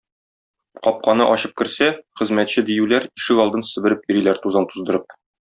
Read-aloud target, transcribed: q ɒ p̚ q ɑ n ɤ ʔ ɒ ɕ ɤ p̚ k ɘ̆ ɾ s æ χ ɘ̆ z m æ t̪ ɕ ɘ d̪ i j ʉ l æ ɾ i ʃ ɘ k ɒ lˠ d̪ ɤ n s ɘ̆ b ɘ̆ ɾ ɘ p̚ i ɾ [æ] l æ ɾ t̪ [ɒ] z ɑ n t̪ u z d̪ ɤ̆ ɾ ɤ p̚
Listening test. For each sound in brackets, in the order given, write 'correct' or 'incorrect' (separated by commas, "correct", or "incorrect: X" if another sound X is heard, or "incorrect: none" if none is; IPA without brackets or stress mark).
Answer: incorrect: i, incorrect: u